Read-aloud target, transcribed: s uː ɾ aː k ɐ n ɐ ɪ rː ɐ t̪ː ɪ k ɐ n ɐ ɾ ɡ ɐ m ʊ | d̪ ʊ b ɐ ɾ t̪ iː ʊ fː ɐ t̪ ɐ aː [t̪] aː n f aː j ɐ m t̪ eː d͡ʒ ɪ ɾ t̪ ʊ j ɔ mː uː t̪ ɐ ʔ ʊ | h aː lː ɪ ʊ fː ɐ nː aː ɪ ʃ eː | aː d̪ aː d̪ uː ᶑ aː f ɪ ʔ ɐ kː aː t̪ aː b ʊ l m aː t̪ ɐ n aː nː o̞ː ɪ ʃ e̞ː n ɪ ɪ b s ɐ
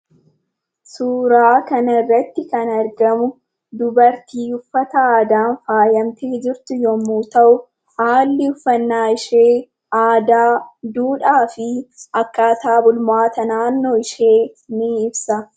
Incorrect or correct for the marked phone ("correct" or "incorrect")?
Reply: incorrect